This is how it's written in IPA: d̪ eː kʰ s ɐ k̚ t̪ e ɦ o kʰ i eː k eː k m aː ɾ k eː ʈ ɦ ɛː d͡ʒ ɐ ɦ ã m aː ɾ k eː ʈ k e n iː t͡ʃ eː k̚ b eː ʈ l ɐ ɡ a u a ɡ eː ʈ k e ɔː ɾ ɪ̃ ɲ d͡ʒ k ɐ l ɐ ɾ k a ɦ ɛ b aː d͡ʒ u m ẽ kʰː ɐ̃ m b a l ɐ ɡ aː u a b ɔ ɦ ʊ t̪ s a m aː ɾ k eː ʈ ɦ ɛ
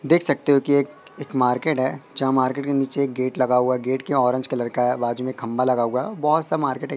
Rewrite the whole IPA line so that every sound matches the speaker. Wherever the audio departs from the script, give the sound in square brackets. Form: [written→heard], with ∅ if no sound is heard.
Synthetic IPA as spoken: d̪ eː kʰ s ɐ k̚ t̪ e ɦ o [kʰ→k] i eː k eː k m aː ɾ k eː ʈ ɦ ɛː d͡ʒ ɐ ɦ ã m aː ɾ k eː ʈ k e n iː t͡ʃ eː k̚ [b→ɡ] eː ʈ l ɐ ɡ a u a ɡ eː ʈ k e ɔː ɾ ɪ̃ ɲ d͡ʒ k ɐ l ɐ ɾ k a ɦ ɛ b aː d͡ʒ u m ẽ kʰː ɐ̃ m b a l ɐ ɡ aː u a b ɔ ɦ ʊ t̪ s a m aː ɾ k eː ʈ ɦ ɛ